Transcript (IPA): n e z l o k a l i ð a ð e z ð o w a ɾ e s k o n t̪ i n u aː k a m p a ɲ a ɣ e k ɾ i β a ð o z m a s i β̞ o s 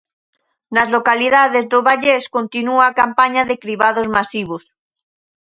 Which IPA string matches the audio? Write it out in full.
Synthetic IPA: n a z l o k a l i ð a ð e z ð o β a ʎ e s k o n t̪ i n u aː k a m p a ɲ a ð e k ɾ i β a ð o z m a s i β̞ o s